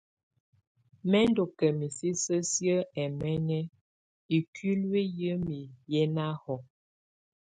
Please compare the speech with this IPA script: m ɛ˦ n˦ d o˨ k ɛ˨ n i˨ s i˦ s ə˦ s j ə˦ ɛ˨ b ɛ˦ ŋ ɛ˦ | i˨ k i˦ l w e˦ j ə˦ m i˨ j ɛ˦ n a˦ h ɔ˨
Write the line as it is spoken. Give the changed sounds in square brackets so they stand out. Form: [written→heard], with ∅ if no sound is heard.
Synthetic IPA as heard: m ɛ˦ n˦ d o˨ k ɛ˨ [n→m] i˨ s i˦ s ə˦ s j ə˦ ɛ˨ [b→m] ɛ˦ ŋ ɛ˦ | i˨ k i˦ l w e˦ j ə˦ m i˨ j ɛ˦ n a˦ h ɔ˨